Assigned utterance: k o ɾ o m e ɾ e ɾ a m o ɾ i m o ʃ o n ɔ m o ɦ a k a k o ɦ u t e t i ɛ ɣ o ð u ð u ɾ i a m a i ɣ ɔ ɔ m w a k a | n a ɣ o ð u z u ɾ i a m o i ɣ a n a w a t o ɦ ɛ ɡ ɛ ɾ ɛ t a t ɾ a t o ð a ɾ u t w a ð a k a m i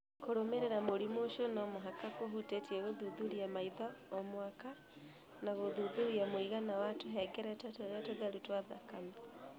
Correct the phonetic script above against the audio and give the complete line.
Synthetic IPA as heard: k o ɾ o m e ɾ e ɾ a m o ɾ i m o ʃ o n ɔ m o ɦ a k a k o ɦ u t e t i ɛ ɣ o ð u ð u ɾ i a m a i ð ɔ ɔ m w a k a | n a ɣ o ð u ð u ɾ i a m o i ɣ a n a w a t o ɦ ɛ ɡ ɛ ɾ ɛ t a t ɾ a t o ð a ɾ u t w a ð a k a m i